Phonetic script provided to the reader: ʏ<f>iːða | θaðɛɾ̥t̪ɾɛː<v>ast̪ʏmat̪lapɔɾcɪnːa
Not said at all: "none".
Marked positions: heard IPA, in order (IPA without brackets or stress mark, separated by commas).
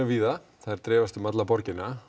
v, v